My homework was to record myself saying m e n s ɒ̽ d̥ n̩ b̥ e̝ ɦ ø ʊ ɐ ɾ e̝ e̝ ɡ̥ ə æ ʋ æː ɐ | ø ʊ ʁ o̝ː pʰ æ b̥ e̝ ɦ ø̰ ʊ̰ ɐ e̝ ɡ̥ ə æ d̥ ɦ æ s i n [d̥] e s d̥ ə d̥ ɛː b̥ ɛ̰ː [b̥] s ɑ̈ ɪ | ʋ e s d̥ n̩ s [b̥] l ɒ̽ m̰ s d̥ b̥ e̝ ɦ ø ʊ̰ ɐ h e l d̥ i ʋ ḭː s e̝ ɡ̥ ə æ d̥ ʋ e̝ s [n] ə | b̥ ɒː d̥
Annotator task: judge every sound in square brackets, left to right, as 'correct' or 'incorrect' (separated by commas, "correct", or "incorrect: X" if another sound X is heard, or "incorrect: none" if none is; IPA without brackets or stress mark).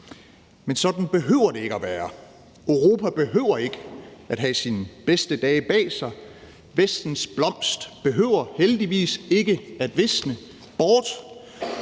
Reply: incorrect: b̥, incorrect: none, correct, correct